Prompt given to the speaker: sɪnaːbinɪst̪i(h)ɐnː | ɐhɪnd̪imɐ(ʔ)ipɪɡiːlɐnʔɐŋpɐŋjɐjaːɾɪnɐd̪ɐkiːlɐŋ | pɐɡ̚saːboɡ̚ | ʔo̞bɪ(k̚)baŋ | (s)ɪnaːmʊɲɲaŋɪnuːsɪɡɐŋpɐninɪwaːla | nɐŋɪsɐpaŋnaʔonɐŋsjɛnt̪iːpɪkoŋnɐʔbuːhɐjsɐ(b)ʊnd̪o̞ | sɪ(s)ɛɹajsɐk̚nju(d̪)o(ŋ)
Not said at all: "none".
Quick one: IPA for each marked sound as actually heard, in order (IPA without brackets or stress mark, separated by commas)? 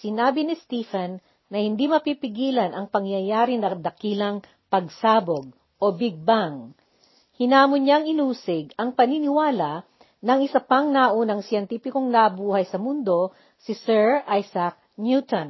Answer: f, p, ɡ̚, h, m, s, t̪, n